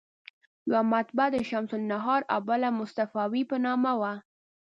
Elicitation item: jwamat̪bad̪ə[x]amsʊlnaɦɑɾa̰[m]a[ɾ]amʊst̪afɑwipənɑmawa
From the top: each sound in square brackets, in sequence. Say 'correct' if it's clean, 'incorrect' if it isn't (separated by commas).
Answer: incorrect, incorrect, incorrect